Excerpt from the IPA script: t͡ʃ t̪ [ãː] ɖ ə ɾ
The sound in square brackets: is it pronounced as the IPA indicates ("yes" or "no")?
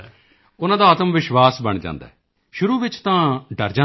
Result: yes